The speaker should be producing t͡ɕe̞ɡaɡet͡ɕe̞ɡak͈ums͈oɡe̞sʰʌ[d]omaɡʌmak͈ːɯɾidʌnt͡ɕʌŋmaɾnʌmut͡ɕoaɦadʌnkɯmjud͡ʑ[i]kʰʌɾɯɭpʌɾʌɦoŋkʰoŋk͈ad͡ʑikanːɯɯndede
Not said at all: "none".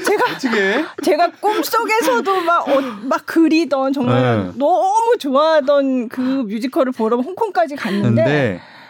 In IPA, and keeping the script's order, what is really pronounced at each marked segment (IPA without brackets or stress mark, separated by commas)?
d, i